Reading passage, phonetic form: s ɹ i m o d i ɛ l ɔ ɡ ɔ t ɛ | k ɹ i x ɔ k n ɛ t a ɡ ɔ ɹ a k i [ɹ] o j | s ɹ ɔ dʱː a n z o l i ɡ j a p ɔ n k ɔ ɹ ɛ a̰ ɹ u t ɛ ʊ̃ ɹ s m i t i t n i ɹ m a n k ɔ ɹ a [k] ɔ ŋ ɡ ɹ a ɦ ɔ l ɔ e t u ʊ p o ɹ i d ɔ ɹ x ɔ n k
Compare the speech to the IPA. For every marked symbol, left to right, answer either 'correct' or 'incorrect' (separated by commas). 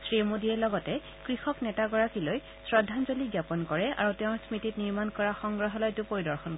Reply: incorrect, incorrect